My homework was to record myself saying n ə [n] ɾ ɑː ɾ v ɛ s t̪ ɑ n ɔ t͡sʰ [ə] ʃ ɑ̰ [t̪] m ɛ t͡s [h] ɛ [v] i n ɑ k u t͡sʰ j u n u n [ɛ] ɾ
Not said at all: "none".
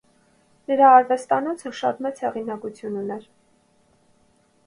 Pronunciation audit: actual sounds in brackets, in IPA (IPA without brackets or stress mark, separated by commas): none, ə, t̪, h, ʁ, ɛ